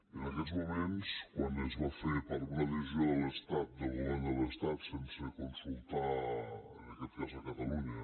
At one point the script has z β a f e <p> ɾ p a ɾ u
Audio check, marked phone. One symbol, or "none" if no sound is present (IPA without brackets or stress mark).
none